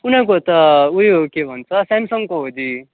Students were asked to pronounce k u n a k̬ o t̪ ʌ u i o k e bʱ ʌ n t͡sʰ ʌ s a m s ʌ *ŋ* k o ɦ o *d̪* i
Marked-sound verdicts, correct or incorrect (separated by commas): correct, correct